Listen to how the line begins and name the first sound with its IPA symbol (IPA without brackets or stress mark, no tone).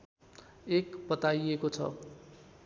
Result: e